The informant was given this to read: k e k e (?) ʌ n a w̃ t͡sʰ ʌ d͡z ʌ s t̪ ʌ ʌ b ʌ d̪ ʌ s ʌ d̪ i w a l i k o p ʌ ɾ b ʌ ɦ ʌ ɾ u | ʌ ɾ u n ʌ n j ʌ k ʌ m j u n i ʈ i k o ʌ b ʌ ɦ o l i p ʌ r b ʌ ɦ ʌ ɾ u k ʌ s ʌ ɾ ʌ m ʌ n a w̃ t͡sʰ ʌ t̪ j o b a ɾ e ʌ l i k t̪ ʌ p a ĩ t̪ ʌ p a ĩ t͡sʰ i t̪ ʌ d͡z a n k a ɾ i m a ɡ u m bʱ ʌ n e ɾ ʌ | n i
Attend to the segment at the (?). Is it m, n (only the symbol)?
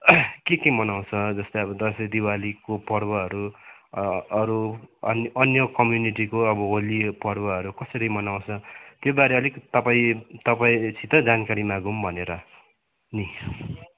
m